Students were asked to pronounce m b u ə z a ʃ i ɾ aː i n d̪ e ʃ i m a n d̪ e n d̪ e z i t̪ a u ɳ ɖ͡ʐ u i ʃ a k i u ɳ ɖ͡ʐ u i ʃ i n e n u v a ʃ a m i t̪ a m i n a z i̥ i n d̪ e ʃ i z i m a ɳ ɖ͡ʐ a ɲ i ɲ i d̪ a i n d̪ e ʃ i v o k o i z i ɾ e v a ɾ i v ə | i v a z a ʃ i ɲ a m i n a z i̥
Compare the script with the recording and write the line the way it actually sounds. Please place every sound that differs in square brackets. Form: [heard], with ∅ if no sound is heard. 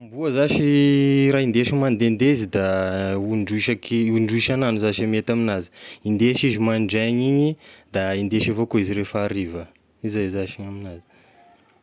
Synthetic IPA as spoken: m b u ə z a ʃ i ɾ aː i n d̪ e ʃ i m a n d̪ e n d̪ e z i [d̪] a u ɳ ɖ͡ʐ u i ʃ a k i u ɳ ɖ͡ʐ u i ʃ [a] n [a] n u [z] a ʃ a m [e] t̪ a m i n a z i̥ i n d̪ e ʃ i z i m a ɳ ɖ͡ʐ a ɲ i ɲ i d̪ a i n d̪ e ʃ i v o k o i z i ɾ e [f] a ɾ i v ə | i [z] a z a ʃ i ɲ a m i n a z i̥